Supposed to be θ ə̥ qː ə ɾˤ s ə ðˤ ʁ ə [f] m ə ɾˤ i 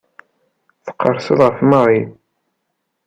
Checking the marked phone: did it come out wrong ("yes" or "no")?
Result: no